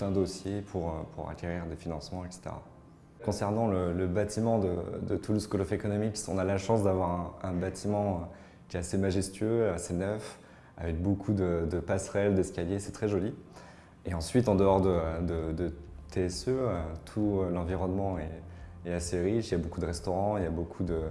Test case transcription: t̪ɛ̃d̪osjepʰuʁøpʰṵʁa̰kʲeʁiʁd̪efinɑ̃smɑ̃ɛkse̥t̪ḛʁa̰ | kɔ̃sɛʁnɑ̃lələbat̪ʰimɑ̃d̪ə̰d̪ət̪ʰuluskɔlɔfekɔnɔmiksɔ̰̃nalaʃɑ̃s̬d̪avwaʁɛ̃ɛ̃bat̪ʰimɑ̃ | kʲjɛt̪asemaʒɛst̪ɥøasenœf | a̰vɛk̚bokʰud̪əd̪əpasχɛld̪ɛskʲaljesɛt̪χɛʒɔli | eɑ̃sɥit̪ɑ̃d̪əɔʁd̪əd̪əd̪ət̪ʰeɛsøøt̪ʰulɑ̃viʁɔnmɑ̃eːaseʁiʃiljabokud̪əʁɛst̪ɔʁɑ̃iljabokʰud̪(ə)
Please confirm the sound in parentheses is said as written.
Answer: yes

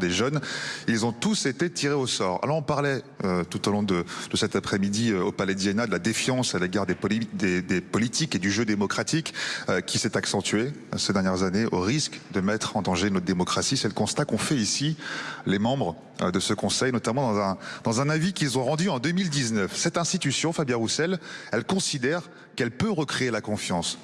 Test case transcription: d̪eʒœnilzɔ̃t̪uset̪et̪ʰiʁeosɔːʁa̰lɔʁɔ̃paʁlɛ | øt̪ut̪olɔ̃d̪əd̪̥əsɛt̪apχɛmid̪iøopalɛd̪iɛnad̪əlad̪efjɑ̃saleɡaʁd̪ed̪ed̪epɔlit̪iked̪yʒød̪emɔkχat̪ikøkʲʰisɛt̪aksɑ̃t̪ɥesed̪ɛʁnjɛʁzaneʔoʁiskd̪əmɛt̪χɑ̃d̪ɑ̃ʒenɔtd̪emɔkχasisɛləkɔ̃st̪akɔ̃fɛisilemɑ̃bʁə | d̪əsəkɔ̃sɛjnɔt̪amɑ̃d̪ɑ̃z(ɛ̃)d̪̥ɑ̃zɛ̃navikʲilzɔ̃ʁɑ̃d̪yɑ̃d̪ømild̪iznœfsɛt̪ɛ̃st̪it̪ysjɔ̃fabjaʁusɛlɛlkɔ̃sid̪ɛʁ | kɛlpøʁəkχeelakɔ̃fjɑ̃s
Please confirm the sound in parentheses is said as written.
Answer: yes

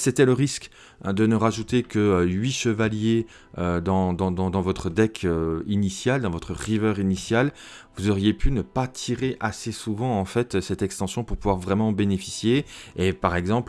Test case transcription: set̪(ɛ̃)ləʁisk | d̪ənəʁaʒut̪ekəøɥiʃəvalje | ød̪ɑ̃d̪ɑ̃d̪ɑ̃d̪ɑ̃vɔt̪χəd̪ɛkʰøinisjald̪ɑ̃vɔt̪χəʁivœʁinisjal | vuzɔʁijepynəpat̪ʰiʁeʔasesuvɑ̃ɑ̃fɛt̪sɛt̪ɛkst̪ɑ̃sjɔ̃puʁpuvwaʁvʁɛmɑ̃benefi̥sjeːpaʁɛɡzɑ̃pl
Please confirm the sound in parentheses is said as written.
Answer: no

